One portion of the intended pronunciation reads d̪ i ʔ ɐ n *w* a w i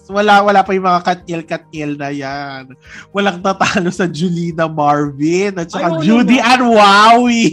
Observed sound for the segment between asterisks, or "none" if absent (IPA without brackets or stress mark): w